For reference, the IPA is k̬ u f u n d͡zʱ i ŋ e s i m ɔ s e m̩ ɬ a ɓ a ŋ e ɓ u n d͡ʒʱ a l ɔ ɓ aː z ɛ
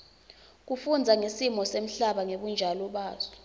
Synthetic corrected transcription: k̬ u f u n d͡zʱ a ŋ e s i m ɔ s e m̩ ɬ a ɓ a ŋ e ɓ u n d͡ʒʱ a l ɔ ɓ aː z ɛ